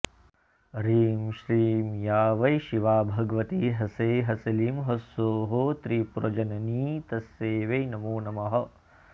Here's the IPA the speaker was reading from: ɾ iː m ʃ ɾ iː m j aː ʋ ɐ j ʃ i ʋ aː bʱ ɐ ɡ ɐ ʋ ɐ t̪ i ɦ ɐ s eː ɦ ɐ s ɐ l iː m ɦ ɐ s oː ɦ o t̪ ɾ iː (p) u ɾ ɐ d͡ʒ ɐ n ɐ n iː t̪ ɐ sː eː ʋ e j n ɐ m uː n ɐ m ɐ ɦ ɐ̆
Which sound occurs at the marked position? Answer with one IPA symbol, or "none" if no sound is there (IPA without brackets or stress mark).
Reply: p